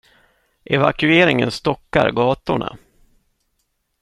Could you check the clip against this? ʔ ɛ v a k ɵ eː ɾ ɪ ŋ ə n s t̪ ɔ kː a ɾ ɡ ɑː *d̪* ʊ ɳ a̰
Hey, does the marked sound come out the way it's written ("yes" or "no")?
no